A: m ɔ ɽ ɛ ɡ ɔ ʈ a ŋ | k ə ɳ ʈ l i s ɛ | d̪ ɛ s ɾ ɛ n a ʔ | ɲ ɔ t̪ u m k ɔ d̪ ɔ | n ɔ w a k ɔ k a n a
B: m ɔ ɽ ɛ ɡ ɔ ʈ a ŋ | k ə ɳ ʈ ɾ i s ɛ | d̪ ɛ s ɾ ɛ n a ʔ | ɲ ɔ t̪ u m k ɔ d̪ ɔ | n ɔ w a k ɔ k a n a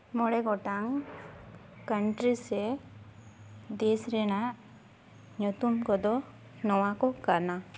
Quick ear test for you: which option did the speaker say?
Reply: B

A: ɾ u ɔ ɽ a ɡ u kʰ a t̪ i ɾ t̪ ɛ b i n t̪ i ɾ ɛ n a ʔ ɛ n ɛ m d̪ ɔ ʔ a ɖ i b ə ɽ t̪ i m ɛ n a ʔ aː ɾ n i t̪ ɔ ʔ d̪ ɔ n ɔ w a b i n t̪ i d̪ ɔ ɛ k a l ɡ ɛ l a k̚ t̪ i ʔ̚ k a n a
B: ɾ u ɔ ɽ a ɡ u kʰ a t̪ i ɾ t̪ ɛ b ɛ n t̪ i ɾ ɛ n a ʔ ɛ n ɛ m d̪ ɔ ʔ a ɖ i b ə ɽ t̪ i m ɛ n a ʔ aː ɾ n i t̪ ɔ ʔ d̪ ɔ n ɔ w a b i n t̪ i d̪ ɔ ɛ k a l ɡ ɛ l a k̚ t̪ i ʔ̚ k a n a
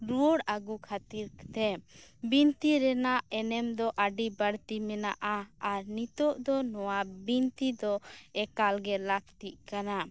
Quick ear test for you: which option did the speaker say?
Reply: A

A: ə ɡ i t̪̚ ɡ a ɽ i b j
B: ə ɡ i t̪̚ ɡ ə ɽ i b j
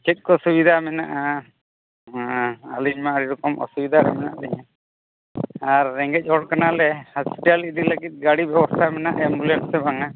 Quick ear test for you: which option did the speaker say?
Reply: A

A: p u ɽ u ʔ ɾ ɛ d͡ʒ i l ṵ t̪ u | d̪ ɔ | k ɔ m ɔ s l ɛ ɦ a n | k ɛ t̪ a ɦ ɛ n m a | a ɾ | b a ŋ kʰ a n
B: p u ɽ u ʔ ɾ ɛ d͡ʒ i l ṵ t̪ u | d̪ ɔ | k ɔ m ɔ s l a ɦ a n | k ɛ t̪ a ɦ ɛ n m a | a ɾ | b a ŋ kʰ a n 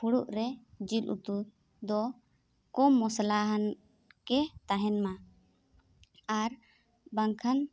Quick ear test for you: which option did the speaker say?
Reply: B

